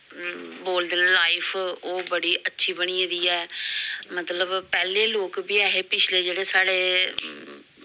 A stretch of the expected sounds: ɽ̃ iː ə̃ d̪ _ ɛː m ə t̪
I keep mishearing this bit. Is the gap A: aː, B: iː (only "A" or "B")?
B